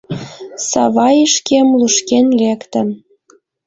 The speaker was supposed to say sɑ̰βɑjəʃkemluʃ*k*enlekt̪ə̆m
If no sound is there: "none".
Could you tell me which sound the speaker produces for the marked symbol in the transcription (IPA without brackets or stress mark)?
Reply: k